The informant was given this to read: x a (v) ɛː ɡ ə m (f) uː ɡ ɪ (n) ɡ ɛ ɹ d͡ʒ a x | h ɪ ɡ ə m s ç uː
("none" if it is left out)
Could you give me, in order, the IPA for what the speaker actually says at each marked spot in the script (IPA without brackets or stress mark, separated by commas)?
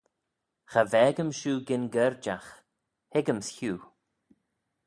v, ʃ, n